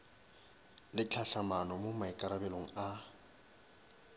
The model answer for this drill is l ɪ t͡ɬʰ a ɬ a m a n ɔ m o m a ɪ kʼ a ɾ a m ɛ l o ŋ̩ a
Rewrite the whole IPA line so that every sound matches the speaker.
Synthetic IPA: l ɪ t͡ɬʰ a ɬ a m a n ɔ m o m a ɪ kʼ a ɾ a b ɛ l o ŋ̩ a

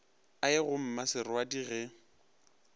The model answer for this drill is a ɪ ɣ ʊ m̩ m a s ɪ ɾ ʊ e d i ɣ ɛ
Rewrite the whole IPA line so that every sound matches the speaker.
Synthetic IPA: a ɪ ɣ ʊ m̩ m a s ɪ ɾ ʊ a d i ɣ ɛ

